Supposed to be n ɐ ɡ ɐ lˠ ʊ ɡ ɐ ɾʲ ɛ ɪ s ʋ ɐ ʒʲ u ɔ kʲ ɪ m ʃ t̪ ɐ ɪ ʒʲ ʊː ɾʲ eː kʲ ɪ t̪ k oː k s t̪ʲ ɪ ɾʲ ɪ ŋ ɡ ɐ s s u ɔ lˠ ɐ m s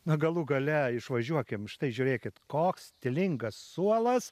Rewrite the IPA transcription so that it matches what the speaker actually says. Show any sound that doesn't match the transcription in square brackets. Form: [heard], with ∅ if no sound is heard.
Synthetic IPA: n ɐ ɡ ɐ lˠ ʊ ɡ ɐ [lʲ] ɛ ɪ [ʃ] ʋ ɐ ʒʲ u ɔ kʲ ɪ m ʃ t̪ ɐ ɪ ʒʲ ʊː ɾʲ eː kʲ ɪ t̪ k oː k s t̪ʲ ɪ [lʲ] ɪ ŋ ɡ ɐ s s u ɔ lˠ ɐ [∅] s